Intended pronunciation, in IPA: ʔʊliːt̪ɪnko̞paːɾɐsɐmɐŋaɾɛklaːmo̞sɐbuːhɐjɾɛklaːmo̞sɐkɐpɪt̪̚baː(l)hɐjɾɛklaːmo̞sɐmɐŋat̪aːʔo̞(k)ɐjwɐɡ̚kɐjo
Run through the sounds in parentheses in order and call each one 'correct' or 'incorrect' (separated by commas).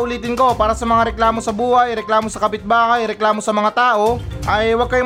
incorrect, incorrect